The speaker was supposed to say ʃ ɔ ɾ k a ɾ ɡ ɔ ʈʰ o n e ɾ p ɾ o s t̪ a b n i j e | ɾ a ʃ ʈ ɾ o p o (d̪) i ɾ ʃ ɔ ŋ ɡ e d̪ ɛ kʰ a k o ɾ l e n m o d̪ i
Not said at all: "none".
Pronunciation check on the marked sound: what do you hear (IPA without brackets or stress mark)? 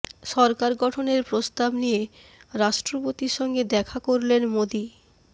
t̪